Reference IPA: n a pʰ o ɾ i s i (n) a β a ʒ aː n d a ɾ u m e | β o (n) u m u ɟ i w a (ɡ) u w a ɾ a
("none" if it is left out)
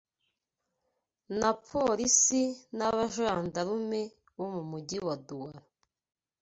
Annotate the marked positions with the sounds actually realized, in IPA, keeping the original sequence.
n, m, d

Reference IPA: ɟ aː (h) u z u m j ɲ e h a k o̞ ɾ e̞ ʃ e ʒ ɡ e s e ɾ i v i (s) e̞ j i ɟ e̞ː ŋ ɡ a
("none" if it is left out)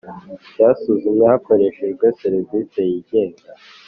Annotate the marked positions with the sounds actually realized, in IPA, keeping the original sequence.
s, s

